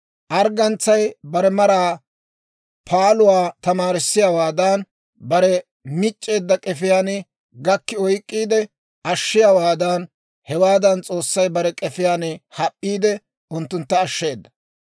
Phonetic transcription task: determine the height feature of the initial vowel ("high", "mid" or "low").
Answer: low